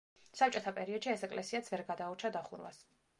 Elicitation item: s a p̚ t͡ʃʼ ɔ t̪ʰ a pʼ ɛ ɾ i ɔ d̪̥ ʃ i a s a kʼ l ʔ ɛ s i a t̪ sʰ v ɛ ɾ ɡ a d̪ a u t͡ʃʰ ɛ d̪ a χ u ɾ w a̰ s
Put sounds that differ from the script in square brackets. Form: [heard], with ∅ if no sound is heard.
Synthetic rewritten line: s a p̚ t͡ʃʼ ɔ t̪ʰ a pʼ ɛ ɾ i ɔ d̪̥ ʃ i [ɛ] s [ɛ] kʼ l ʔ ɛ s i a t̪ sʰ v ɛ ɾ ɡ a d̪ a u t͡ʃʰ [a] d̪ a χ u ɾ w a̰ s